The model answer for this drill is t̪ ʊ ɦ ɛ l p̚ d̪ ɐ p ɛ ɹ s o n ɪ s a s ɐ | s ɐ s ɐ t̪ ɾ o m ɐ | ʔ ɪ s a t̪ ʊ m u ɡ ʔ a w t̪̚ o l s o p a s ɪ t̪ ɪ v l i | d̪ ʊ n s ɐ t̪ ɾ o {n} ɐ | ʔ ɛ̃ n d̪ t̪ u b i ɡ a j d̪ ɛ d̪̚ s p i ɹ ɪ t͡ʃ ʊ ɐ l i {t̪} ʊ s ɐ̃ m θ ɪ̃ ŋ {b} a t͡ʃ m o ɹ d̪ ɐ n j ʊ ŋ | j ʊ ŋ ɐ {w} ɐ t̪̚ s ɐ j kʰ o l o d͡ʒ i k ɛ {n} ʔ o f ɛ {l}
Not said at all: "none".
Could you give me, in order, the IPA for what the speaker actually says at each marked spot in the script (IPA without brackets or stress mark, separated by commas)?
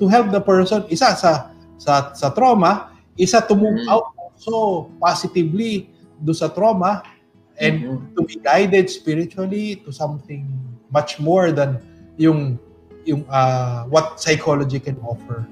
m, t̪, m, w, n, ɹ